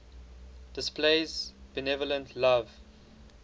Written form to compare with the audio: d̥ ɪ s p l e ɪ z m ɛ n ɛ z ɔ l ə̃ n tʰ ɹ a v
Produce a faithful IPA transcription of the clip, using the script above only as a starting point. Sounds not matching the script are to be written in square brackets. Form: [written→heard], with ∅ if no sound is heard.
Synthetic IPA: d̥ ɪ s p l e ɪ z [m→b] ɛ n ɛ [z→v] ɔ l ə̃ n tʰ [ɹ→l] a v